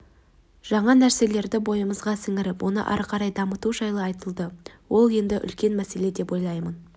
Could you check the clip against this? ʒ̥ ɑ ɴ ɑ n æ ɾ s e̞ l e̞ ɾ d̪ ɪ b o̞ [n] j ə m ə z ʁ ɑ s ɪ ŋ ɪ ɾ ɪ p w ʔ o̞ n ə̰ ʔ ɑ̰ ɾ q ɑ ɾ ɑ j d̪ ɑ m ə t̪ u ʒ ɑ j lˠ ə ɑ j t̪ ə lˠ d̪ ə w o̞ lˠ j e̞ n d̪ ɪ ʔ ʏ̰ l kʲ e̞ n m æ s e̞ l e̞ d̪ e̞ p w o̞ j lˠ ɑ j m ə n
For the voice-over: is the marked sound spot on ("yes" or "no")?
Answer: no